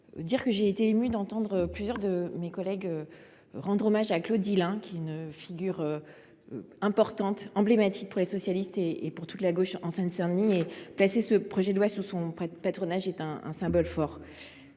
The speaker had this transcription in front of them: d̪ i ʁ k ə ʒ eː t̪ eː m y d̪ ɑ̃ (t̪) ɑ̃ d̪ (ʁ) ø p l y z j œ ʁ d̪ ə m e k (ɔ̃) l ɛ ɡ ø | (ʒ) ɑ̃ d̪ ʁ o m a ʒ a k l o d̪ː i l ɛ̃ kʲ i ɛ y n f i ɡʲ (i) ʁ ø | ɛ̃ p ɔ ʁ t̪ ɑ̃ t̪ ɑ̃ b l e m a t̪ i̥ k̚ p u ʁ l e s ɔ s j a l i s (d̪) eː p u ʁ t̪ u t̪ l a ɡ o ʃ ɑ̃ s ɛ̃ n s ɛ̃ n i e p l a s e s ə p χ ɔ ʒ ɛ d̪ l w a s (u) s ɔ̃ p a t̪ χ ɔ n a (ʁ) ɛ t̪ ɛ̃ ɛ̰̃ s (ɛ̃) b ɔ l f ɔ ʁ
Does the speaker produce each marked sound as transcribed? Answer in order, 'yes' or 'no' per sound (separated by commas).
yes, yes, no, no, no, no, yes, no, yes